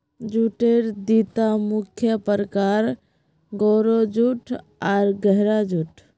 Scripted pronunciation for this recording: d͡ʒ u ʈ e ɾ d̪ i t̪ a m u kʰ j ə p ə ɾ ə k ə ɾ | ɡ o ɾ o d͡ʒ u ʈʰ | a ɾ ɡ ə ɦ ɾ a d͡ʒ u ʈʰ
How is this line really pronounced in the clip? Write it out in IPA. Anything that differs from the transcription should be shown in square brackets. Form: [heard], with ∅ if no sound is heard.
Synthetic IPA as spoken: d͡ʒ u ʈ e ɾ d̪ i t̪ a m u kʰ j ə p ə ɾ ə k [a] ɾ | ɡ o ɾ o d͡ʒ u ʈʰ | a ɾ ɡ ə ɦ ɾ a d͡ʒ u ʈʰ